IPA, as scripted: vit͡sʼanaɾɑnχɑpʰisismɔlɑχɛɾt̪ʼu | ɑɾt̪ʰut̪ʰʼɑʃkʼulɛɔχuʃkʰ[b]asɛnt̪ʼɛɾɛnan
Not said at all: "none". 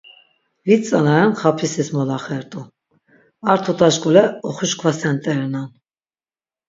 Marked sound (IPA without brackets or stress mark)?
v